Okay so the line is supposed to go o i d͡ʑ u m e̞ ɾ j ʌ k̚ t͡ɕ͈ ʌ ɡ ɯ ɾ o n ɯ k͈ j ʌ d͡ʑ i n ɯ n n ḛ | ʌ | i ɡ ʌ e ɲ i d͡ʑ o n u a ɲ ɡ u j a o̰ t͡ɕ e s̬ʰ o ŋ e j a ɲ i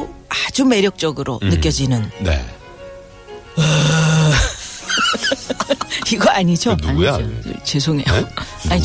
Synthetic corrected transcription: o a d͡ʑ u m e̞ ɾ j ʌ k̚ t͡ɕ͈ ʌ ɡ ɯ ɾ o n ɯ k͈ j ʌ d͡ʑ i n ɯ n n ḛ | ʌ | i ɡ ʌ a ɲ i d͡ʑ o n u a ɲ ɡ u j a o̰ t͡ɕ e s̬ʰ o ŋ e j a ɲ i